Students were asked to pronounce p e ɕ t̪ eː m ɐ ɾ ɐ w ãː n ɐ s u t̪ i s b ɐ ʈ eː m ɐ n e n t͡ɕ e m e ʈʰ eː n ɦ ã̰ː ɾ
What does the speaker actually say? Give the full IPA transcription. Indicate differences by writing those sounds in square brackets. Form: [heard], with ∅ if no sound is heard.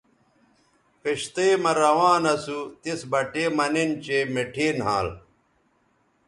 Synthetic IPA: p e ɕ t̪ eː m ɐ ɾ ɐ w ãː n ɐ s u t̪ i s b ɐ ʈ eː m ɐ n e n t͡ɕ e m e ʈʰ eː n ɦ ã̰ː [l]